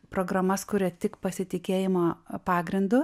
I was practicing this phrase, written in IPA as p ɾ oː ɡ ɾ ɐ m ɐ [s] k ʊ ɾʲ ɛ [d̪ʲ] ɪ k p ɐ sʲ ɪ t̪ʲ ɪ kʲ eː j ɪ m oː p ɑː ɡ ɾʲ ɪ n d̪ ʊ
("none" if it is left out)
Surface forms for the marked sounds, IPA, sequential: s, t̪ʲ

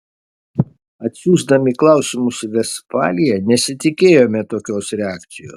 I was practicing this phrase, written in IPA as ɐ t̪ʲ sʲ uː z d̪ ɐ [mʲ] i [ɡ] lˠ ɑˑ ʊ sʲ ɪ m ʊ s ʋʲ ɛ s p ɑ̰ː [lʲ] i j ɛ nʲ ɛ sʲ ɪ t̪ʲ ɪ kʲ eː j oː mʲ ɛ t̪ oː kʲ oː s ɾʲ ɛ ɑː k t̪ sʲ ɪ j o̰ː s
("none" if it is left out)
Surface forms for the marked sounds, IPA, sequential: mʲ, k, lʲ

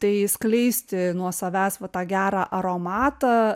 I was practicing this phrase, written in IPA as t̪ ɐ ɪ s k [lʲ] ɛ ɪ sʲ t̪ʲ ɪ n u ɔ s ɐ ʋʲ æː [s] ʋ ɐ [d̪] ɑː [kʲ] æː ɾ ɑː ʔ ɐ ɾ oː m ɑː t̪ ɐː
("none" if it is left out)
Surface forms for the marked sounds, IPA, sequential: lʲ, s, t̪, ɡʲ

